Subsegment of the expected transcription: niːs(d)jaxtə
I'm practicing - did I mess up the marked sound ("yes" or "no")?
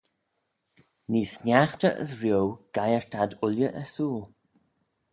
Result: yes